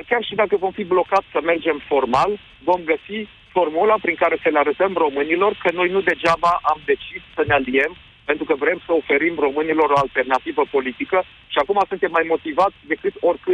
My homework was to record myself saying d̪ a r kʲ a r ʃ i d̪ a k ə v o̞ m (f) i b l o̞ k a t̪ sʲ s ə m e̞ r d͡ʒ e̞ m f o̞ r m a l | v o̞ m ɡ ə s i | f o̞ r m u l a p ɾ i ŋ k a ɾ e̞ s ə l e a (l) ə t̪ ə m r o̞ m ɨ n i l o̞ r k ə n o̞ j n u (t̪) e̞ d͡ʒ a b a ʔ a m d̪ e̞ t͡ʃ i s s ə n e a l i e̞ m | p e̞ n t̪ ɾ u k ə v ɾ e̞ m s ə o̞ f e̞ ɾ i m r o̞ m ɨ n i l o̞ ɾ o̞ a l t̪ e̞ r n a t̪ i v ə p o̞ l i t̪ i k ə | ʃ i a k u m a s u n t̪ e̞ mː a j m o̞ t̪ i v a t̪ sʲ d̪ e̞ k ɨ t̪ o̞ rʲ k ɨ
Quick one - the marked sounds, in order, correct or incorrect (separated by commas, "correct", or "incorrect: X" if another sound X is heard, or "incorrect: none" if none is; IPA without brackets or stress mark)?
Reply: correct, incorrect: ɾ, incorrect: d̪